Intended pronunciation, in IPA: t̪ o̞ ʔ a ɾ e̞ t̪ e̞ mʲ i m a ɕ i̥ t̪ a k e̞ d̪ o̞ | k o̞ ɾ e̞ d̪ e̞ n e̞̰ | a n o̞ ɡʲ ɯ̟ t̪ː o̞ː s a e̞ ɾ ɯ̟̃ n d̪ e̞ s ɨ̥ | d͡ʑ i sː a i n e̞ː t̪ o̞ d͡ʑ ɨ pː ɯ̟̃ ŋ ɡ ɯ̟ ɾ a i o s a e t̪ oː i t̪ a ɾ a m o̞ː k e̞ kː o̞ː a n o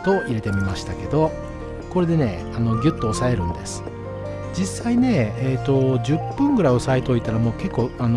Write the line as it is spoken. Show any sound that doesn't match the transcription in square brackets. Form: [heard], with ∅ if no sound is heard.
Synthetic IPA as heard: t̪ o̞ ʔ [i] ɾ e̞ t̪ e̞ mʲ i m a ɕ i̥ t̪ a k e̞ d̪ o̞ | k o̞ ɾ e̞ d̪ e̞ n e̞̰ | a n o̞ ɡʲ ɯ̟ t̪ː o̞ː s a e̞ ɾ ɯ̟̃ n d̪ e̞ s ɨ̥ | d͡ʑ i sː a i n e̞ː t̪ o̞ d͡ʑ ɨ pː ɯ̟̃ ŋ ɡ ɯ̟ ɾ a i o s a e t̪ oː i t̪ a ɾ a m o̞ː k e̞ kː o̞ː a n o